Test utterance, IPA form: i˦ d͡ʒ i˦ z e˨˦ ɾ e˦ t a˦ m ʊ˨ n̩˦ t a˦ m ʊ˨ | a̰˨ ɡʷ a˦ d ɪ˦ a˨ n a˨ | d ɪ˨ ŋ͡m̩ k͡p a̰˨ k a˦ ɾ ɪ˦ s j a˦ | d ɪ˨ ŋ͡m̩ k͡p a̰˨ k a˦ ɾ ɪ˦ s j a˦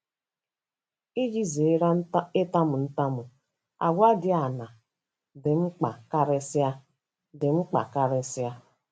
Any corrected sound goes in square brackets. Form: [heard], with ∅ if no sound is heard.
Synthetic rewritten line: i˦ d͡ʒ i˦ z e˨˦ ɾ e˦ t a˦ m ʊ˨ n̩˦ t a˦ m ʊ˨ | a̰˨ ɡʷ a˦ d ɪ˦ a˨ n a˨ | d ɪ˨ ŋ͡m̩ k͡p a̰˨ k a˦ ɾ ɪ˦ s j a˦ | d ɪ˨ ŋ͡m̩ k͡p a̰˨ k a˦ ɾ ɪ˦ s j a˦